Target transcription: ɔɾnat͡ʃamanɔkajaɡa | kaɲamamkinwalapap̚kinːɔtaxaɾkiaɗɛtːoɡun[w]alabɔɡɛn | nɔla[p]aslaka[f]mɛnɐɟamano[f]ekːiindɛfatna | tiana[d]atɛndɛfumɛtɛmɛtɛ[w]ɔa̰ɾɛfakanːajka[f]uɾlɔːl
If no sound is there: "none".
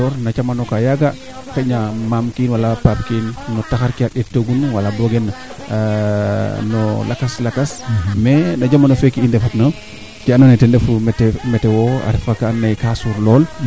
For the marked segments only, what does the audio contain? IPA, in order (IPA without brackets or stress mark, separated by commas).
w, k, s, f, n, w, s